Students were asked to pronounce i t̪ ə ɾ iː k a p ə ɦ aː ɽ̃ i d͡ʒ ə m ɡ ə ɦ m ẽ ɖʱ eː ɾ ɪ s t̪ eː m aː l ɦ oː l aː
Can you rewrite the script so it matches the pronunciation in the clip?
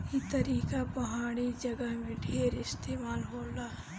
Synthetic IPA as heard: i t̪ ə ɾ iː k a p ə ɦ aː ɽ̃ i d͡ʒ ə ɡ ə ɦ m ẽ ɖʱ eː ɾ ɪ s t̪ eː m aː l ɦ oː l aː